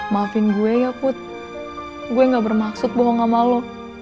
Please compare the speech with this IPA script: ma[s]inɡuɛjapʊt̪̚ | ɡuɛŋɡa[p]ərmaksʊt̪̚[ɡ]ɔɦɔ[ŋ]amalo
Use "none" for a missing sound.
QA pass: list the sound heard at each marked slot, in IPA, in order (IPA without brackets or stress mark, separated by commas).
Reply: f, b, b, ŋ